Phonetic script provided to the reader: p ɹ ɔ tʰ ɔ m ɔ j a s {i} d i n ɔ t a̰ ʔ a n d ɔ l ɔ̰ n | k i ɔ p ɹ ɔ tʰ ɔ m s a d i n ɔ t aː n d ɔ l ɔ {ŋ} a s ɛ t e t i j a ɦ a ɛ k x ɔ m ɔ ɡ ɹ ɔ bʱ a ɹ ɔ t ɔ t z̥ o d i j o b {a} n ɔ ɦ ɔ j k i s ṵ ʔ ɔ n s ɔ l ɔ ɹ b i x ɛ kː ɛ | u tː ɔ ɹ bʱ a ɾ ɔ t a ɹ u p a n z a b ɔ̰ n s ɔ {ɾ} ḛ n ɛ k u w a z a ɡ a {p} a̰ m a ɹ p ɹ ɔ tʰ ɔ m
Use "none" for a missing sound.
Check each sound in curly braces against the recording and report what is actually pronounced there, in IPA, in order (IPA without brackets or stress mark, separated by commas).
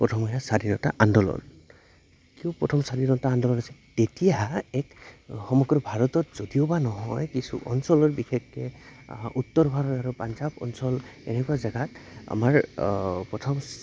a, n, a, l, t